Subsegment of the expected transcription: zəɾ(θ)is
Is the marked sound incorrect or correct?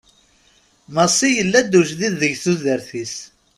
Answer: correct